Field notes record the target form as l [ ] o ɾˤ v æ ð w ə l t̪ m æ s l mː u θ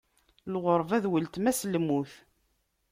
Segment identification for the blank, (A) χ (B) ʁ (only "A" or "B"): B